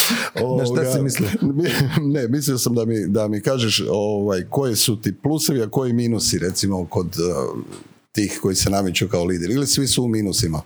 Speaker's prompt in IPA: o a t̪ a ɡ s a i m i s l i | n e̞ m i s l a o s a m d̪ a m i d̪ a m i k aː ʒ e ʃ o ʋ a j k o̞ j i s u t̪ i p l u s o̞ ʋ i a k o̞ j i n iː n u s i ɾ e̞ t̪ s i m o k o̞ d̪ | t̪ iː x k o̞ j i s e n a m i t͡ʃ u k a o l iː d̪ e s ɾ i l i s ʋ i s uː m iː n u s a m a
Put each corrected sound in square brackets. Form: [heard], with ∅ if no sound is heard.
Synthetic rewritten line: o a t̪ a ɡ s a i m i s l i | n e̞ m i s l [i] o s a m d̪ a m i d̪ a m i k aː ʒ e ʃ o ʋ a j k o̞ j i s u t̪ i p l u s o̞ ʋ i a k o̞ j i [m] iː n u s i ɾ e̞ t̪ s i m o k o̞ d̪ | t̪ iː x k o̞ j i s e n a m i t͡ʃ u k a o l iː d̪ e [∅] ɾ i l i s ʋ i s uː m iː n u s [i] m a